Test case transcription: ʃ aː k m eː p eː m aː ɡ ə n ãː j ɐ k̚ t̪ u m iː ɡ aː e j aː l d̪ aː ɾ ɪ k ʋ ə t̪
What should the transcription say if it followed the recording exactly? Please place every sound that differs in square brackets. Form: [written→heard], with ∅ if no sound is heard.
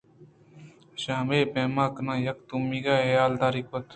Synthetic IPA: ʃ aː [k→∅] m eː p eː m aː [ɡ→k] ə n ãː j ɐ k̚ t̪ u m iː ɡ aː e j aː l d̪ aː ɾ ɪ k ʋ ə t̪